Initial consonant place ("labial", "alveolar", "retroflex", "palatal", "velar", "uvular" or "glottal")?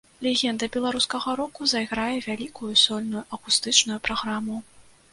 alveolar